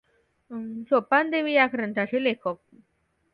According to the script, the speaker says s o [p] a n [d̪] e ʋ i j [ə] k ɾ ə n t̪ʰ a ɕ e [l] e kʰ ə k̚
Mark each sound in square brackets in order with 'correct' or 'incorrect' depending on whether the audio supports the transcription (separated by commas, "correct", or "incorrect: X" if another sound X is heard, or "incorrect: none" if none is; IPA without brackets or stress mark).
correct, correct, incorrect: a, correct